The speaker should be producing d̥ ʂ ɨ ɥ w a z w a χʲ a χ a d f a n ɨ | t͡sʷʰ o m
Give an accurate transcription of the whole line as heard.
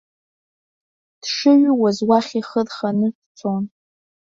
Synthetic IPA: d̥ ʂ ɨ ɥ w a z w a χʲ i χ ə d χ a n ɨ | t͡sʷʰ o n